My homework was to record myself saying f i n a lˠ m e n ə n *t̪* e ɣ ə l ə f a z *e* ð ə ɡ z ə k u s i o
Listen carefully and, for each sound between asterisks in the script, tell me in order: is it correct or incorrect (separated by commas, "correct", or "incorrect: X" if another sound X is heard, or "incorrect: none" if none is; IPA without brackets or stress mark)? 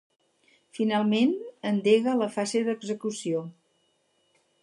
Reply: incorrect: d̪, correct